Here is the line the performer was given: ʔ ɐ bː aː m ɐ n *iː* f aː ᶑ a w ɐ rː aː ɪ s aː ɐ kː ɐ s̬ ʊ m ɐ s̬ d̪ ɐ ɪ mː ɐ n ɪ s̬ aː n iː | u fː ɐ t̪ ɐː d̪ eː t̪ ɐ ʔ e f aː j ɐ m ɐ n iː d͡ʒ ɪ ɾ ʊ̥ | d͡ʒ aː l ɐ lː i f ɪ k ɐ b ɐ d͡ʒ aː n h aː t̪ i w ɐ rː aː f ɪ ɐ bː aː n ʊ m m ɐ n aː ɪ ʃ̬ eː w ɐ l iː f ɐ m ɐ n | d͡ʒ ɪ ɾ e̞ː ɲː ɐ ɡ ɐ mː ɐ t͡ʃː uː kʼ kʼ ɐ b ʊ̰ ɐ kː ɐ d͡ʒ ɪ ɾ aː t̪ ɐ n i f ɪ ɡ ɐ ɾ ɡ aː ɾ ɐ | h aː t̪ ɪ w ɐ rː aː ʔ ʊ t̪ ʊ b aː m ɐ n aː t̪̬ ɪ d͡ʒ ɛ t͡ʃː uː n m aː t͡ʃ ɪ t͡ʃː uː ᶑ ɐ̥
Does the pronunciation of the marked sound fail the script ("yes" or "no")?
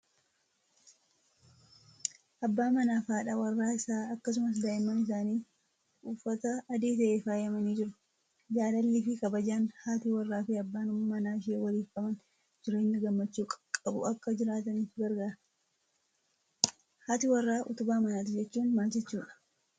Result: yes